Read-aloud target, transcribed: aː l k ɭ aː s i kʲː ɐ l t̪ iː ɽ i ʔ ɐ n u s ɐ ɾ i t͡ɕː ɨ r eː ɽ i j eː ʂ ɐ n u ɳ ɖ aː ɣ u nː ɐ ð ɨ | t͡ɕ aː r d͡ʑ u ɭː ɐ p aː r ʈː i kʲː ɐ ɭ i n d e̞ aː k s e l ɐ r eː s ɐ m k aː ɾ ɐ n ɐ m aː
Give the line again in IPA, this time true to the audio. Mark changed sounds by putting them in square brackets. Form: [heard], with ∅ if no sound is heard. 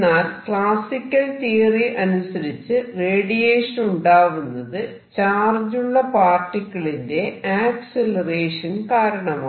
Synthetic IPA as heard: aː l k ɭ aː s i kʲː ɐ l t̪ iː [r] i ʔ ɐ n u s ɐ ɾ i t͡ɕː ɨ r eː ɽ i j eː ʂ ɐ n u ɳ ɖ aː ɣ u nː ɐ ð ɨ | t͡ɕ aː r d͡ʑ u ɭː ɐ p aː r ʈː i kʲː ɐ ɭ i n d e̞ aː k s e l ɐ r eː [ʂ] ɐ [n] k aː ɾ ɐ [ɳ] ɐ m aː

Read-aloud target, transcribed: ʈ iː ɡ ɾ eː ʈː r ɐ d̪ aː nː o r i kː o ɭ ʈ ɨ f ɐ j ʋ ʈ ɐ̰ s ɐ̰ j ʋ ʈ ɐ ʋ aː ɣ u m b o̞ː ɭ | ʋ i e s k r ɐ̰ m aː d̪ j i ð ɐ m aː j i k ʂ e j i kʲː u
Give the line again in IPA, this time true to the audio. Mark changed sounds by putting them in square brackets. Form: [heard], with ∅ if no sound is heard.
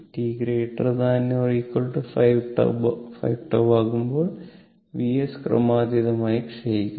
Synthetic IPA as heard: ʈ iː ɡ ɾ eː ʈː r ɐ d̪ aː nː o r i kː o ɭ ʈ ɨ f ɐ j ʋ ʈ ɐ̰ [f] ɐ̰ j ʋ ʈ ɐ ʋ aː ɣ u m b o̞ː ɭ | ʋ i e s k r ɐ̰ m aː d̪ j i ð ɐ m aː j i k ʂ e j i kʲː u

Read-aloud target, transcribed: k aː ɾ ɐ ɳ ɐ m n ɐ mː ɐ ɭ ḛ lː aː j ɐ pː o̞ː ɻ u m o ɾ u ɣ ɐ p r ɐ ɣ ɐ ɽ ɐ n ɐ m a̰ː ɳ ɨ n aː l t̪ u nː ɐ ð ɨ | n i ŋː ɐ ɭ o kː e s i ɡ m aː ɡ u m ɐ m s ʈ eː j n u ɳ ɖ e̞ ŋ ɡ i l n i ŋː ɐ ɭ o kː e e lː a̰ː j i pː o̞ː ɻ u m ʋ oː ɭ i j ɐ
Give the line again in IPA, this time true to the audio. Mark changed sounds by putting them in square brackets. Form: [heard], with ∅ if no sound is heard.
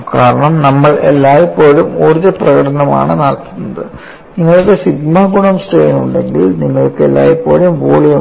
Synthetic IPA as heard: k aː ɾ ɐ ɳ ɐ m n ɐ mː ɐ ɭ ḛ lː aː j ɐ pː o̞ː ɻ u m o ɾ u [ð] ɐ p r ɐ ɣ ɐ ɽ ɐ n ɐ m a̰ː ɳ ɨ n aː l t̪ u nː ɐ ð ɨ | n i ŋː ɐ ɭ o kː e s i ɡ m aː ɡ u [ɳ] ɐ m s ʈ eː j n u ɳ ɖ e̞ ŋ ɡ i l n i ŋː ɐ ɭ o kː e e lː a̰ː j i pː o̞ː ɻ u m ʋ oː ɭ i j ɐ

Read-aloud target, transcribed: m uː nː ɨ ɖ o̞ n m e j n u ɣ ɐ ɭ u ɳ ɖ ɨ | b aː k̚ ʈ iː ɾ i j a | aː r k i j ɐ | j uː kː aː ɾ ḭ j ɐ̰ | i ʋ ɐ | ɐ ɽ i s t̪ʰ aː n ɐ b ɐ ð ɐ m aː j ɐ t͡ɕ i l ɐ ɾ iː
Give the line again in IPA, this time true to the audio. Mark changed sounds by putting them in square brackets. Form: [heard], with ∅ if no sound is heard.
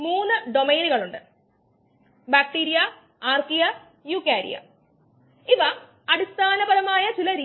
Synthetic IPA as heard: m uː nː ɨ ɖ o̞ [∅] m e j n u ɣ ɐ ɭ u ɳ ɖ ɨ | b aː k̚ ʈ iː ɾ i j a | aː r k i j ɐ | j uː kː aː ɾ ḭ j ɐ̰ | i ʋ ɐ | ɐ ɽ i s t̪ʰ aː n ɐ b ɐ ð ɐ m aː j ɐ t͡ɕ i l ɐ ɾ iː

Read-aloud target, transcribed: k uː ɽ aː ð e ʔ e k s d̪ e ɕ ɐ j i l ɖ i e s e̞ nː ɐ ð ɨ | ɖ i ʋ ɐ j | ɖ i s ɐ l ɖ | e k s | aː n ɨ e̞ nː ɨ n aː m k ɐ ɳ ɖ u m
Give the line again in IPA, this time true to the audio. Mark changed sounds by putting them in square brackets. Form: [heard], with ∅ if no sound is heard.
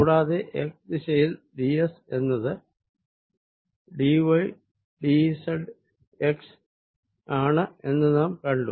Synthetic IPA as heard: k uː ɽ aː ð e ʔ e k s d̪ [i] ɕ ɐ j i l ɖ i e s e̞ nː ɐ ð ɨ | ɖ i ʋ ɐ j | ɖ i s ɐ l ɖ | e k s | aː [ɳ] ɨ e̞ nː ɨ n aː m k ɐ ɳ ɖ u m

